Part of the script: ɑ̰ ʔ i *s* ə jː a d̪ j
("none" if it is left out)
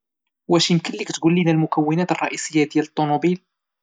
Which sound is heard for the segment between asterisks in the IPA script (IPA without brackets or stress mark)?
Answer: s